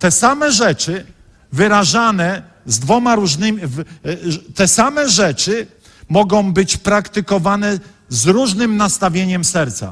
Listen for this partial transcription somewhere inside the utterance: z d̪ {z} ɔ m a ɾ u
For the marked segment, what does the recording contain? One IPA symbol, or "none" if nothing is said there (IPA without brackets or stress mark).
v